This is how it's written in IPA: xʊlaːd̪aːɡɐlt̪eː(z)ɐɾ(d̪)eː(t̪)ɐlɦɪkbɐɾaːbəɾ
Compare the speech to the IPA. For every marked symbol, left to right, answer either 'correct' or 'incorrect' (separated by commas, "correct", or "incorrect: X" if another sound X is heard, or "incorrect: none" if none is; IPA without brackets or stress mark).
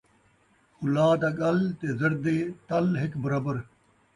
correct, correct, correct